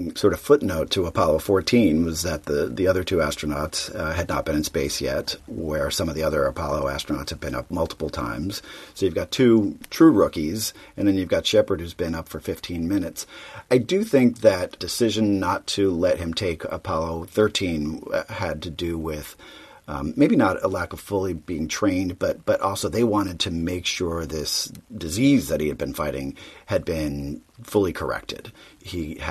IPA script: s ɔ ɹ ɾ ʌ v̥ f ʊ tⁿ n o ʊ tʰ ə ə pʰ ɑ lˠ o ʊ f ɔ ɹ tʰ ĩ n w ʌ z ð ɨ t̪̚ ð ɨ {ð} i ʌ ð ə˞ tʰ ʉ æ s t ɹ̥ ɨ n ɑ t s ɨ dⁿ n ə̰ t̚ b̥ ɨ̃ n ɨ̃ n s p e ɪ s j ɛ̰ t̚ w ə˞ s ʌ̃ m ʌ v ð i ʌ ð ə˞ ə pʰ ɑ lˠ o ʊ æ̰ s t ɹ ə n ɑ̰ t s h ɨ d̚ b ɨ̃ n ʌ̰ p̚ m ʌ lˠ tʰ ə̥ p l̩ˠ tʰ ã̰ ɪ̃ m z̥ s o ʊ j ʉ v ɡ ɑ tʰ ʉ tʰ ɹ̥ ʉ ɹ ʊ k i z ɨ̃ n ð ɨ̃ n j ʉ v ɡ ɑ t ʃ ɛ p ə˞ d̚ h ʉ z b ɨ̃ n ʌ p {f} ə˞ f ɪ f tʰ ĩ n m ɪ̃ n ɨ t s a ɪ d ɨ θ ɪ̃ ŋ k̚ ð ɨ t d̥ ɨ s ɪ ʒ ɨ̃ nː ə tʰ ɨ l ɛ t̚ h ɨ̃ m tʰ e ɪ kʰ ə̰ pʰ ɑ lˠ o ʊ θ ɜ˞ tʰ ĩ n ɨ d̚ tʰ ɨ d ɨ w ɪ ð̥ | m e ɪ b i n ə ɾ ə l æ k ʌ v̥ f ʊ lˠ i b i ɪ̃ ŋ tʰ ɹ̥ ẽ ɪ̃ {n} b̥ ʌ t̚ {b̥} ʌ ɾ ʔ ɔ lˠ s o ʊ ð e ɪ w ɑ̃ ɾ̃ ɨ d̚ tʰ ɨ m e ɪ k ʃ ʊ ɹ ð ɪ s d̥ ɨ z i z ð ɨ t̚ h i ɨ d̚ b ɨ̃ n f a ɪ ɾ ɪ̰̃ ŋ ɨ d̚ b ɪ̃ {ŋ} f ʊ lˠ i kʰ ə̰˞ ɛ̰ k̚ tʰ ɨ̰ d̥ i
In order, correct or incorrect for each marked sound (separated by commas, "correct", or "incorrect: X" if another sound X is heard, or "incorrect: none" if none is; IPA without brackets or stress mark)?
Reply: correct, correct, correct, correct, incorrect: n